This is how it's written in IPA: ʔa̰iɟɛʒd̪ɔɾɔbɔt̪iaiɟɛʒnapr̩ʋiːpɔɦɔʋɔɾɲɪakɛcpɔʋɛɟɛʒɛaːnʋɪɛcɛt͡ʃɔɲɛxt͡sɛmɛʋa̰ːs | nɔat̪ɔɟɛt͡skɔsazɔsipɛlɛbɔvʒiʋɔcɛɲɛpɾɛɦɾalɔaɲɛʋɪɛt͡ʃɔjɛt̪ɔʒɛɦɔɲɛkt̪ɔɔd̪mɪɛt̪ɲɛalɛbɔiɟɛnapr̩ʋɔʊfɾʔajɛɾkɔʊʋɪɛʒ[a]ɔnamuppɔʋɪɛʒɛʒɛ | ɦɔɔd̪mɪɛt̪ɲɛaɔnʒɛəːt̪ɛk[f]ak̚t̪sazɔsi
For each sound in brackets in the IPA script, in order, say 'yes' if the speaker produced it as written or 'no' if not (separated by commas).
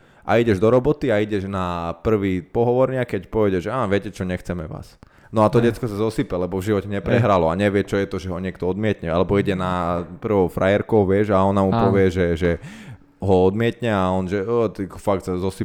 yes, yes